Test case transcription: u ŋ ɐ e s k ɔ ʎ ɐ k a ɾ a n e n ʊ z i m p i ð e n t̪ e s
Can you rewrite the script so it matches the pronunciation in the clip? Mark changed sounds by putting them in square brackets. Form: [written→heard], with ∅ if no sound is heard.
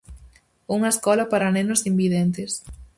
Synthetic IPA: u ŋ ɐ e s k ɔ [ʎ→l] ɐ [k→p] a ɾ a n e n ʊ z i m [p→b] i ð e n t̪ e s